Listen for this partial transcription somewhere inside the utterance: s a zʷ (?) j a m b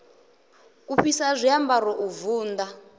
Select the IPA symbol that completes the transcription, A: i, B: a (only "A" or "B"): A